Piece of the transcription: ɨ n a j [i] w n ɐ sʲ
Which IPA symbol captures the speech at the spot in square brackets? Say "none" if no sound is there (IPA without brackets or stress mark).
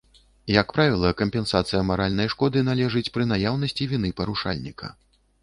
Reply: a